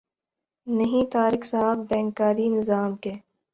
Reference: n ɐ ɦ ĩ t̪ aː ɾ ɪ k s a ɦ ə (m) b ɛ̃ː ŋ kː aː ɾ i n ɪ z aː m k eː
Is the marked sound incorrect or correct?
incorrect